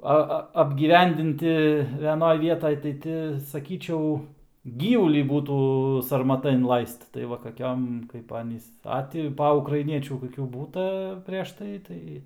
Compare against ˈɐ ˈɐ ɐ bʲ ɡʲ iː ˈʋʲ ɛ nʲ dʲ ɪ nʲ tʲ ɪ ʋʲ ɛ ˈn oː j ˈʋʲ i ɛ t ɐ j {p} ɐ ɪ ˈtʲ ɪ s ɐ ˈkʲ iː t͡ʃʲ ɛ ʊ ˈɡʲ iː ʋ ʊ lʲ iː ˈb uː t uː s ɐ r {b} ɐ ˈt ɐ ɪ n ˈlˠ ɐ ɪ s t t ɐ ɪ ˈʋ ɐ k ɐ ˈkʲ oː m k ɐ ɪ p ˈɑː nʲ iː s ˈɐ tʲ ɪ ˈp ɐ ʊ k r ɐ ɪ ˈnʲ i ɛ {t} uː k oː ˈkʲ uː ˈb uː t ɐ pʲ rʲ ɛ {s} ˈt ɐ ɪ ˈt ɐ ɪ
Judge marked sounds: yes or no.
no, no, no, no

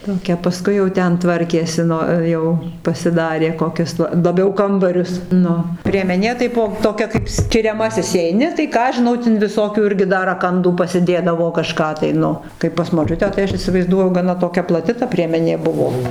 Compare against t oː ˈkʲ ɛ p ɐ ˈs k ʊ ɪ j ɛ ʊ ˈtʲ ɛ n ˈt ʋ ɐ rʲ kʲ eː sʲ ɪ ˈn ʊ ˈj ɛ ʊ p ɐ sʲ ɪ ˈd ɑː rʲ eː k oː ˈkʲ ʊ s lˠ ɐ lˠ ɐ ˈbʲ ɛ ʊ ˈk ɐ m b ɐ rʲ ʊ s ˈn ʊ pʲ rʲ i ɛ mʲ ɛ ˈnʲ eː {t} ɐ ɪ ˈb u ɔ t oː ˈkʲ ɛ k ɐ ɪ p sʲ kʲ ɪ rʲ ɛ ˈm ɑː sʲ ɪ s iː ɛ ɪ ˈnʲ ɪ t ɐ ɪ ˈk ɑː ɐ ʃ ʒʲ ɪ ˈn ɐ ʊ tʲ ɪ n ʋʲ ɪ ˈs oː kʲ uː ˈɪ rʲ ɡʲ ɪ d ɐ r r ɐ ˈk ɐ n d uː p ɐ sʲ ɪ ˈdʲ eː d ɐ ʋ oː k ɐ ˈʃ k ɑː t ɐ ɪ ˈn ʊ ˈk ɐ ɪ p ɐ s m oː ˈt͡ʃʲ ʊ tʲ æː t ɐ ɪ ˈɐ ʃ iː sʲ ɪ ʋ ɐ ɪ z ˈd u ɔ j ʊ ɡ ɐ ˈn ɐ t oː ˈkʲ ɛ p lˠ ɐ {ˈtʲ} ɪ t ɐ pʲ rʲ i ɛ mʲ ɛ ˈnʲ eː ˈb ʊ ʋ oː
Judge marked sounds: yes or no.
yes, yes

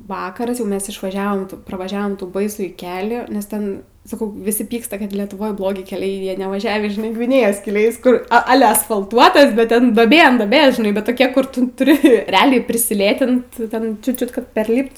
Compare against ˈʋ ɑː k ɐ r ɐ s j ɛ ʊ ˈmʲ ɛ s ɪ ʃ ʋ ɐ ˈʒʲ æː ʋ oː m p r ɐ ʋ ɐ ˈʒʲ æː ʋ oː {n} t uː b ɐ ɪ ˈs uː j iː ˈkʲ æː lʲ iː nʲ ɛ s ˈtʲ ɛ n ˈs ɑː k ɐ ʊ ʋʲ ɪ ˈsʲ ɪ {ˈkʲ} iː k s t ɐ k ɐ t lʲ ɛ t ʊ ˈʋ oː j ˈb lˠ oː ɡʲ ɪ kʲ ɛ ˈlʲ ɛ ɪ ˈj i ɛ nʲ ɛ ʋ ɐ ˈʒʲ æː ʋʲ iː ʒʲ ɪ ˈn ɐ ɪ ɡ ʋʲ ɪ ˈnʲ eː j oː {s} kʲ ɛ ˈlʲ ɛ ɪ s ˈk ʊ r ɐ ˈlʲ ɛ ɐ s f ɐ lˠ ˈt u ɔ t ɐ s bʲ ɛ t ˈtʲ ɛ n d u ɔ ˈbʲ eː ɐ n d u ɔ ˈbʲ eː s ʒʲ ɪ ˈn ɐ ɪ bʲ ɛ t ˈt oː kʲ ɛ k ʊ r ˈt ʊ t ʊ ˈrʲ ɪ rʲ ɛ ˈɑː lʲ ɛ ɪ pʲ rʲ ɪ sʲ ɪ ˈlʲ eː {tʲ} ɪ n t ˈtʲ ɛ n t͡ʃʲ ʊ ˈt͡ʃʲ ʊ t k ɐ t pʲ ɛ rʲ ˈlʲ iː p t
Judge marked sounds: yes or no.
no, no, yes, yes

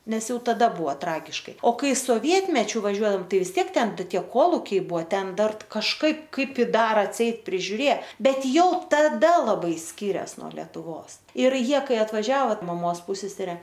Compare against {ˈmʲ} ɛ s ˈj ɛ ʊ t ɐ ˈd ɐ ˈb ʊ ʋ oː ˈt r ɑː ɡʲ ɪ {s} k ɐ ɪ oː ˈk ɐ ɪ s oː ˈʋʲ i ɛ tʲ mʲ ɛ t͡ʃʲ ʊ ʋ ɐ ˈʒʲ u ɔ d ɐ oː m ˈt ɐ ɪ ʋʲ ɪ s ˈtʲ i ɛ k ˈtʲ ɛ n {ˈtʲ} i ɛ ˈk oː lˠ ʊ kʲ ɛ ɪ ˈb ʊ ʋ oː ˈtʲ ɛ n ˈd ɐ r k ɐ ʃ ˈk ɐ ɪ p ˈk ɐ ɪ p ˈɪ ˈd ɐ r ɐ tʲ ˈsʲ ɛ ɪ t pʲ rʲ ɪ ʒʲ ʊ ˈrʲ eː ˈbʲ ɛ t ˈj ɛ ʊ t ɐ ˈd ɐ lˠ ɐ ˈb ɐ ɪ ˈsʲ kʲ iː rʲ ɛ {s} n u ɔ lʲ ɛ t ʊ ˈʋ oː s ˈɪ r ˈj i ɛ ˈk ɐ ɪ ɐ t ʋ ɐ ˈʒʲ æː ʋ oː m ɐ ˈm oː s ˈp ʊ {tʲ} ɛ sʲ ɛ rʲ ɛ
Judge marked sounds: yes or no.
no, no, yes, yes, no

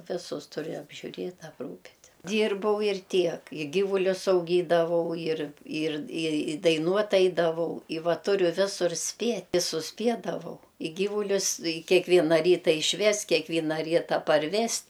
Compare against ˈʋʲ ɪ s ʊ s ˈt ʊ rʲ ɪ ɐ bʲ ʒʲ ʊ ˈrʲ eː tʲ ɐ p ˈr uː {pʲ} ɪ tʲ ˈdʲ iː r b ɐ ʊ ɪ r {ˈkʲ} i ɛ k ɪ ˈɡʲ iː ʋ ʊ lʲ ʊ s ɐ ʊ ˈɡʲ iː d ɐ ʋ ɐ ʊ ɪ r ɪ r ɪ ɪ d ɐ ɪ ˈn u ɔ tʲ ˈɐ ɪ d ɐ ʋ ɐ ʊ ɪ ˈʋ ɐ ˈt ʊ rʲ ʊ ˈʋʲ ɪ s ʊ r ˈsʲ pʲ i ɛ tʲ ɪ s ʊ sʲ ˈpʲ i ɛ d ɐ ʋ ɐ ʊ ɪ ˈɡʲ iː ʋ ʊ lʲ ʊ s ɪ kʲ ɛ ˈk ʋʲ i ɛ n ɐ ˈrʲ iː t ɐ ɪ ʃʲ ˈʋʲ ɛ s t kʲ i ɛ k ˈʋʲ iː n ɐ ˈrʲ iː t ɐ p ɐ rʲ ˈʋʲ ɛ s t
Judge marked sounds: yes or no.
yes, no

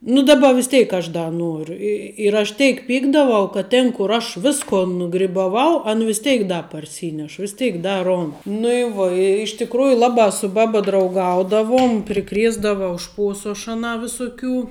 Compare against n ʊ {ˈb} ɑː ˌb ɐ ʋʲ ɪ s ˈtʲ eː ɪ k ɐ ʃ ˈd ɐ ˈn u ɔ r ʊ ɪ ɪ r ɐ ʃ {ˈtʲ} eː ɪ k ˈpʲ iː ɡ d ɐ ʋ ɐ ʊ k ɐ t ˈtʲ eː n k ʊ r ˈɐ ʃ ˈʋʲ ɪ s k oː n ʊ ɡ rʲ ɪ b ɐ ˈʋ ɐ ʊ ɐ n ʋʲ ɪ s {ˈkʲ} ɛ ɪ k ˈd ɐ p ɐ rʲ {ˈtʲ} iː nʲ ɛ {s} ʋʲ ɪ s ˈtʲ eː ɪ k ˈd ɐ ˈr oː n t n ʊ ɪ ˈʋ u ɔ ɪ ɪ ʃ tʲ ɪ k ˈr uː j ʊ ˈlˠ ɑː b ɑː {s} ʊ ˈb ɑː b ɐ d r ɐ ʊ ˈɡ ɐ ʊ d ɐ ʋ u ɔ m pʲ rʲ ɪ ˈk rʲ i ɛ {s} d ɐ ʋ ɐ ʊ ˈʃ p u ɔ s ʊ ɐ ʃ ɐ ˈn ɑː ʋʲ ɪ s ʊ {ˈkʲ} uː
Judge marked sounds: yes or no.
no, yes, no, no, no, yes, no, yes

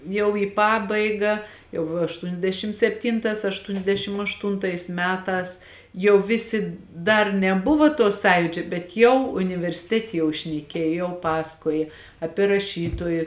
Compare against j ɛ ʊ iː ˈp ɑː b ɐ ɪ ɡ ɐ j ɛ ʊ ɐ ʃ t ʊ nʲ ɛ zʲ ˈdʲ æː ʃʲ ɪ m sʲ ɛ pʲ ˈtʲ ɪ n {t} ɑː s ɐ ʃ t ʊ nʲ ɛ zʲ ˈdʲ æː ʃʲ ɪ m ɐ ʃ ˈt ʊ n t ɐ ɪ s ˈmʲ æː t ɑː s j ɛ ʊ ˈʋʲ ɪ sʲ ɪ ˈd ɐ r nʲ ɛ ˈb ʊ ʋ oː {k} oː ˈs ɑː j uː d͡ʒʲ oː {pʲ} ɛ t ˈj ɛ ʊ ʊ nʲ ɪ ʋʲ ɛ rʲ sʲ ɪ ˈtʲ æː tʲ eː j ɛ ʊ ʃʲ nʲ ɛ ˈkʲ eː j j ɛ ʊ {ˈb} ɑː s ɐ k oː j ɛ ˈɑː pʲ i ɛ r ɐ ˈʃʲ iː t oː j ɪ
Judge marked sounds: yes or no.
yes, no, no, no

